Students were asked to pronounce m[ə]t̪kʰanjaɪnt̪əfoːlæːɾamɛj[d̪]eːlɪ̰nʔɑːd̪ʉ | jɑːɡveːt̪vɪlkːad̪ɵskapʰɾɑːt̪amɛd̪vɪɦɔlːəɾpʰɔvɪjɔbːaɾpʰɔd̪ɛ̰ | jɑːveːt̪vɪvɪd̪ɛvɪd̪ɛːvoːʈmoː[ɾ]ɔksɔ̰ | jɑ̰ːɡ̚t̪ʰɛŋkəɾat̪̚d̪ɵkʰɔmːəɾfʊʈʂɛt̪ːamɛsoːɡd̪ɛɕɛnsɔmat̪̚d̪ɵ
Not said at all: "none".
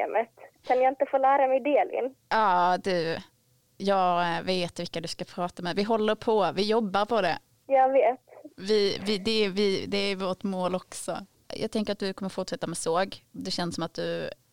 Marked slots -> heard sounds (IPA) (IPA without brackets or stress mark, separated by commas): ə, d̪, l